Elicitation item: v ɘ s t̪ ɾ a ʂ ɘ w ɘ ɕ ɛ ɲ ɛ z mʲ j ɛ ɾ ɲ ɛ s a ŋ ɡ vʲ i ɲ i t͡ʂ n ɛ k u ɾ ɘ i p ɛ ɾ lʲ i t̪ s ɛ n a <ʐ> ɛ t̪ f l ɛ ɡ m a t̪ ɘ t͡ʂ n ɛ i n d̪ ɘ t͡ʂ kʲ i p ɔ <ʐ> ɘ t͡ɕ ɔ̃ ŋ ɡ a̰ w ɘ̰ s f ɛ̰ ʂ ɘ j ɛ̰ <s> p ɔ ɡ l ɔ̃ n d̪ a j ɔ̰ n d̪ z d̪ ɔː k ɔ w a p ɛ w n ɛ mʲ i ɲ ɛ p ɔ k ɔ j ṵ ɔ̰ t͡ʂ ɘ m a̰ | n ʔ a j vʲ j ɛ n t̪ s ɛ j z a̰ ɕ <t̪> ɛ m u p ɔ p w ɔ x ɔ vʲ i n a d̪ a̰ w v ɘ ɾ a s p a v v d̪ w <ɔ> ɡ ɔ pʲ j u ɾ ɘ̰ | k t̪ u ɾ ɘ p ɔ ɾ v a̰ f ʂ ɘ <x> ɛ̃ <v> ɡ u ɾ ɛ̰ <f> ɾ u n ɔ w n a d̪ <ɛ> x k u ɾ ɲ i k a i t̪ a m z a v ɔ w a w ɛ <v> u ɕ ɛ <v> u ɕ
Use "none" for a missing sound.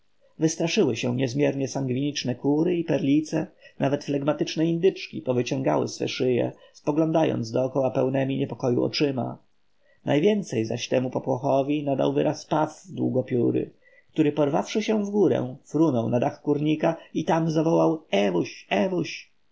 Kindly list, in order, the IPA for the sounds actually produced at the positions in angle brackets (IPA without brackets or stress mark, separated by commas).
v, v, s, t̪, u, ɕ, v, f, a, v, v